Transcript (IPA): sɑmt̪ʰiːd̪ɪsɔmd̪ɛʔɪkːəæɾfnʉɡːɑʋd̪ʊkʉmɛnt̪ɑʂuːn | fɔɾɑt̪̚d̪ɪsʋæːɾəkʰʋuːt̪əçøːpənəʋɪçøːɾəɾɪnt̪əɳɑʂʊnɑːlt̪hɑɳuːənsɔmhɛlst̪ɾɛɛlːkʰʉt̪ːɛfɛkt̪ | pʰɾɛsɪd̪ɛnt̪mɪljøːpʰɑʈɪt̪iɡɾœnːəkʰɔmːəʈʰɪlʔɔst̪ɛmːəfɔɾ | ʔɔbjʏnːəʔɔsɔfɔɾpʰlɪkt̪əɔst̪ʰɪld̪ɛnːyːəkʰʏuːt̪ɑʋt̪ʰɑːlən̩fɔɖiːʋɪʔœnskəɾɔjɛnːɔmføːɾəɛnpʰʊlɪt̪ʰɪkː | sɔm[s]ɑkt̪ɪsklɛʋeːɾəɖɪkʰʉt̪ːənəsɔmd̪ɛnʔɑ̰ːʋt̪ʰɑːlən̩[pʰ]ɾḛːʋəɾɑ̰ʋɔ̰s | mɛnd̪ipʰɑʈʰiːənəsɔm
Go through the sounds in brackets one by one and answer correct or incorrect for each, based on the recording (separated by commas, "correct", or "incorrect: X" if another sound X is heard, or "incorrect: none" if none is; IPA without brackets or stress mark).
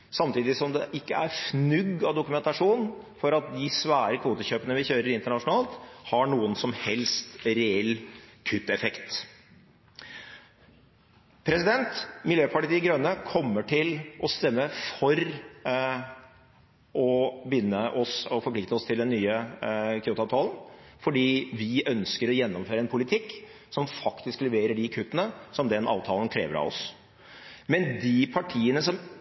incorrect: f, incorrect: kʰ